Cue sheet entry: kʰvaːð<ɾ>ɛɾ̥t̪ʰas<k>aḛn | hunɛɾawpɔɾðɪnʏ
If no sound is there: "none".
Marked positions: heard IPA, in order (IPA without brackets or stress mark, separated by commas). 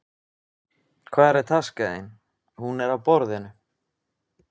ɾ, k